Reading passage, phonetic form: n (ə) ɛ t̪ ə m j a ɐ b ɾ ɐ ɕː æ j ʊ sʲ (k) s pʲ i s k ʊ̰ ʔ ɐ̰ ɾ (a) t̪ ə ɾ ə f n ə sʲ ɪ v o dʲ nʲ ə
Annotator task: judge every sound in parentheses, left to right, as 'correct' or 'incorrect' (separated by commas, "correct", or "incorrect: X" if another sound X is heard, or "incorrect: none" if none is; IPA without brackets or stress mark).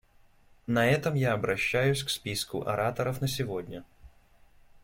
incorrect: ɐ, correct, correct